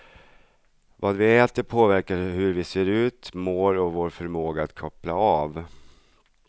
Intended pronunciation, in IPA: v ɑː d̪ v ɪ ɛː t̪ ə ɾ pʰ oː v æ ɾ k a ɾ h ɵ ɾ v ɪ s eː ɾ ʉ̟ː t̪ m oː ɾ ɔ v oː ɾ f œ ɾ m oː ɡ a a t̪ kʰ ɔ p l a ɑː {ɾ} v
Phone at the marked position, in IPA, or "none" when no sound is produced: none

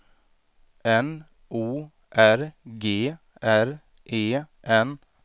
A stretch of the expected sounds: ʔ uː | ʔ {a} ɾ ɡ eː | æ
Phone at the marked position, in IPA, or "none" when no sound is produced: æ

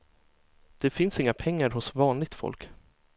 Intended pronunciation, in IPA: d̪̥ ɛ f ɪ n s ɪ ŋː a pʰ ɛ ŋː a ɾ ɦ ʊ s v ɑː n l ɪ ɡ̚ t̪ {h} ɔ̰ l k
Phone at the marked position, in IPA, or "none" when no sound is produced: f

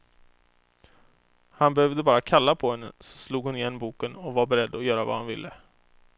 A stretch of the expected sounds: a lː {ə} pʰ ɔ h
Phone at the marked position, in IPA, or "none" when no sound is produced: a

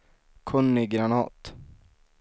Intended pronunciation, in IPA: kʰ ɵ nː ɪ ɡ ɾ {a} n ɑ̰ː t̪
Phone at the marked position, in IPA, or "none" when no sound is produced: a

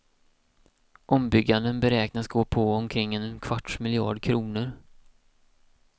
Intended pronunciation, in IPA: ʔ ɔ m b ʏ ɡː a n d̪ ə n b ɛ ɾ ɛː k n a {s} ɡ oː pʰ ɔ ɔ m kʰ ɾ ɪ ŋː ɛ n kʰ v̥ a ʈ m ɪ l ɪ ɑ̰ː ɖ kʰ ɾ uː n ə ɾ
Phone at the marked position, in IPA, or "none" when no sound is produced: s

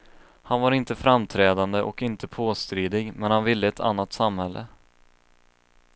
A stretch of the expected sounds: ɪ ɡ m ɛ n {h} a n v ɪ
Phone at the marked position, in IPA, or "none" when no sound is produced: h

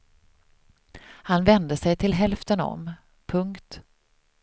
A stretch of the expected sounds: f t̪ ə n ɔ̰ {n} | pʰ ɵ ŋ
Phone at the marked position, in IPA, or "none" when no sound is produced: m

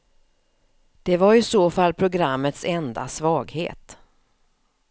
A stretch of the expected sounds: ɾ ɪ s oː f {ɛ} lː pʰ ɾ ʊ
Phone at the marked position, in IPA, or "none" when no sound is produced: a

